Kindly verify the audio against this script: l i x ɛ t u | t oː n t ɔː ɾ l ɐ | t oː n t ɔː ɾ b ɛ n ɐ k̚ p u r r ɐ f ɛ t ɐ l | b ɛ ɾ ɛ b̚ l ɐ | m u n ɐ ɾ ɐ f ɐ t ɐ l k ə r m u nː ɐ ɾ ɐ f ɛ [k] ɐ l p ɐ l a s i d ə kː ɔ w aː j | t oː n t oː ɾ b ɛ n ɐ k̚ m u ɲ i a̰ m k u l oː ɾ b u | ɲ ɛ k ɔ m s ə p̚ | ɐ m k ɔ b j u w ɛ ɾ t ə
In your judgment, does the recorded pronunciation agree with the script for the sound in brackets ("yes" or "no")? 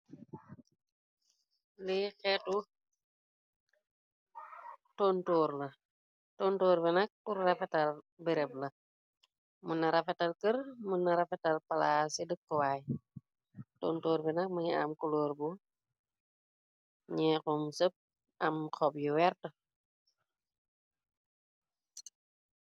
no